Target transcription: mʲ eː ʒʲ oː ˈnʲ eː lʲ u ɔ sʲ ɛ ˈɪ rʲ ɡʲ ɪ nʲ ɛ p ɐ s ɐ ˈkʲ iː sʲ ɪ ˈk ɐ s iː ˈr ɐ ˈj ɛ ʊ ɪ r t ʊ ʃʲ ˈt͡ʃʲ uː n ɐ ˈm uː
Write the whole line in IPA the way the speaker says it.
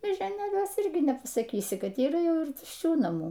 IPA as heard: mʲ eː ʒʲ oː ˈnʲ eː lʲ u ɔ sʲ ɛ ˈɪ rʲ ɡʲ ɪ nʲ ɛ p ɐ s ɐ ˈkʲ iː sʲ ɪ ˈk ɐ t iː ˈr ɐ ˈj ɛ ʊ ɪ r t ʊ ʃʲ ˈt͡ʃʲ uː n ɐ ˈm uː